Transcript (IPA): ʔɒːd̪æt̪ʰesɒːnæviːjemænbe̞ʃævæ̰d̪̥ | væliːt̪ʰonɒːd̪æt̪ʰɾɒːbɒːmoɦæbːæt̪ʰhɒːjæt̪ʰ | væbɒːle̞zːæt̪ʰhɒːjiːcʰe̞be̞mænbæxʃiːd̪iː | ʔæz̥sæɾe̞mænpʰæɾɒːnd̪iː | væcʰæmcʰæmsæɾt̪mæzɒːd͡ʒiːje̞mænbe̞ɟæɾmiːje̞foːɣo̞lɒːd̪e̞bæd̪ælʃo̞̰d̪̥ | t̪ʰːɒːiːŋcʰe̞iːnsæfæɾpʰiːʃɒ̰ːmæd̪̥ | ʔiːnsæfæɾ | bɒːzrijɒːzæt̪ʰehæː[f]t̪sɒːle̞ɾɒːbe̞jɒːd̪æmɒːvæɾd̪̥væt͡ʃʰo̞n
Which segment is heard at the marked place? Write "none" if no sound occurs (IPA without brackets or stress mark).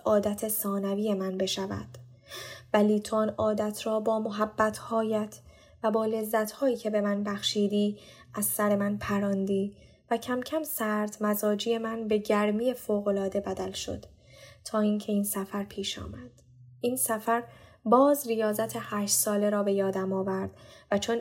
ʃ